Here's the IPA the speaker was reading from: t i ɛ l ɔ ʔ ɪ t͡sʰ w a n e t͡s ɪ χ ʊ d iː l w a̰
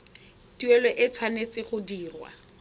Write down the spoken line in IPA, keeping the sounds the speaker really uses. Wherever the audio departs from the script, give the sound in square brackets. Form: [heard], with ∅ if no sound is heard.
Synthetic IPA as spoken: t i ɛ l ɔ ʔ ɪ t͡sʰ w a n e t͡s ɪ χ ʊ d iː [r] w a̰